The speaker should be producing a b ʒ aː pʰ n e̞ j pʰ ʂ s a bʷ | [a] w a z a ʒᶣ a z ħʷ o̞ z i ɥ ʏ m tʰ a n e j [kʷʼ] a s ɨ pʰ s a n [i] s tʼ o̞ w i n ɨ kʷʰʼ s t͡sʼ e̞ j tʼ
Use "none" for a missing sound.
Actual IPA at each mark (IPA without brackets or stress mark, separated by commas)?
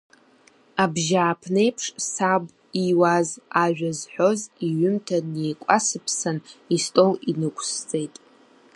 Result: i, kʷʼ, i